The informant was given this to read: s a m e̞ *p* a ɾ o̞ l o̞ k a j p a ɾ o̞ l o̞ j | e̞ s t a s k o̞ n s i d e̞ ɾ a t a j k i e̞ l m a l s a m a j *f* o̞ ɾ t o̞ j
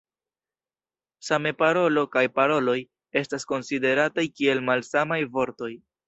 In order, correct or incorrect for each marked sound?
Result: correct, incorrect

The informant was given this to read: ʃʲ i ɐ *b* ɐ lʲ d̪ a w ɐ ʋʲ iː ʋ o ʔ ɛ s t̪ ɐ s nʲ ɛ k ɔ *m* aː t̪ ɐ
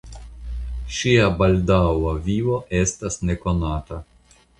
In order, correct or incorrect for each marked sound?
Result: correct, incorrect

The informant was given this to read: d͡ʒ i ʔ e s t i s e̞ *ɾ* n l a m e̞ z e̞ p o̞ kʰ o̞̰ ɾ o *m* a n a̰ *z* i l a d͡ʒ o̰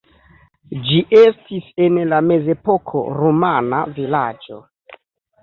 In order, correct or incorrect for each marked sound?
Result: incorrect, correct, incorrect

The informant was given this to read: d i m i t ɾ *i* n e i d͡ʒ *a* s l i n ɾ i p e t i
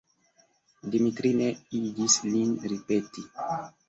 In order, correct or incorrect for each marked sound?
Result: correct, incorrect

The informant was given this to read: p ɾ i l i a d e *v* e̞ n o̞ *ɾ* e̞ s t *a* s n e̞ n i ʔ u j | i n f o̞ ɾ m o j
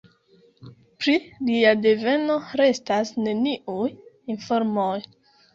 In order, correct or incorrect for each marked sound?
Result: correct, correct, correct

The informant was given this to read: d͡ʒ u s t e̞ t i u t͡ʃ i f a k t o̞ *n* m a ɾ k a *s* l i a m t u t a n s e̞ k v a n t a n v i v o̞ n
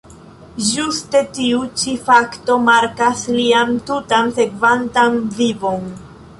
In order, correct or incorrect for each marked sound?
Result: incorrect, correct

